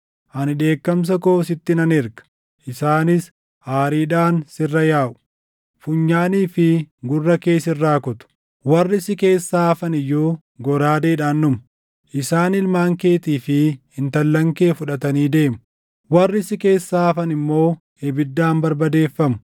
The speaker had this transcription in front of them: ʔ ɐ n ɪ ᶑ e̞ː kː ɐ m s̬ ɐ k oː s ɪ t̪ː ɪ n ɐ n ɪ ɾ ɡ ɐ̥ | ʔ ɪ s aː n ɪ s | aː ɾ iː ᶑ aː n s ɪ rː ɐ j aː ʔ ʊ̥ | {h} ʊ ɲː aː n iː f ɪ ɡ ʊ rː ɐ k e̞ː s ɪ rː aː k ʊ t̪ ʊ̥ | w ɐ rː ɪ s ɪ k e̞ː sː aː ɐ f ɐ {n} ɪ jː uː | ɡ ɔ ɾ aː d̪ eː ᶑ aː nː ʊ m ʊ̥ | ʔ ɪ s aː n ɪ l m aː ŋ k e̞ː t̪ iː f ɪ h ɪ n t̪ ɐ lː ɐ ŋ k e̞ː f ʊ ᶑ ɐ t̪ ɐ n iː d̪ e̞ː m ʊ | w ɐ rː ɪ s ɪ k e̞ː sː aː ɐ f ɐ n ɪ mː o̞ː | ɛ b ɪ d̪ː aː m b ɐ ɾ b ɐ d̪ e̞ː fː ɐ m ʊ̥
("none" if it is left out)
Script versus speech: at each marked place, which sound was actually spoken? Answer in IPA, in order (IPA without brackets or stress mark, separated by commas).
f, n